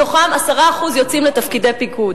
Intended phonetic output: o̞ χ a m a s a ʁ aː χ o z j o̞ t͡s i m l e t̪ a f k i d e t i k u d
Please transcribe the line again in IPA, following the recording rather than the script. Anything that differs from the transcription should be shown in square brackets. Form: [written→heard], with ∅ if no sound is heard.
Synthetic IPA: o̞ χ a m a s a ʁ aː χ [o→u] z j o̞ t͡s i m l e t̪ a f k i d e [t→p] i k u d